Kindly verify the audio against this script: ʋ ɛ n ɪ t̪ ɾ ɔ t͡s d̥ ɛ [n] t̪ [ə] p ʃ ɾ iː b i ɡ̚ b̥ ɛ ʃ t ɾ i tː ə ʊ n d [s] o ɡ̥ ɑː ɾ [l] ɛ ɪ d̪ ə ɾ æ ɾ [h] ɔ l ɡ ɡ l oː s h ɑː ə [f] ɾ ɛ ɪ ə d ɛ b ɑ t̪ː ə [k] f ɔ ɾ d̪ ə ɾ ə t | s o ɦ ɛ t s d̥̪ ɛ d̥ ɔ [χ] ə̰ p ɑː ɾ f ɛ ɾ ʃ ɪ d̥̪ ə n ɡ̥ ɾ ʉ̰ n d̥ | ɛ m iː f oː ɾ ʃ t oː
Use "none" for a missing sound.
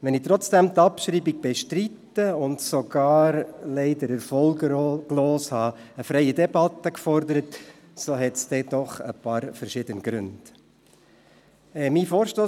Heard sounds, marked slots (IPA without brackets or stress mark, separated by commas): m, ɑ, s, l, f, f, k, χ